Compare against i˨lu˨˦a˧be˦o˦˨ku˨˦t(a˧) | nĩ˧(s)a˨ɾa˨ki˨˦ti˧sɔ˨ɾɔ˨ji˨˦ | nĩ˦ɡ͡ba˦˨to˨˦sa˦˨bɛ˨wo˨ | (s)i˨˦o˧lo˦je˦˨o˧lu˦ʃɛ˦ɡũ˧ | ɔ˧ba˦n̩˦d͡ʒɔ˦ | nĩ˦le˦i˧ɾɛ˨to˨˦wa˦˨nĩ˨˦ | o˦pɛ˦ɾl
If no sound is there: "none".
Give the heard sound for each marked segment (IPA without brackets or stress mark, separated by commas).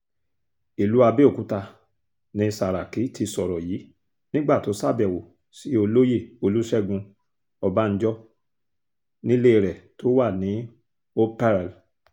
a˧, s, s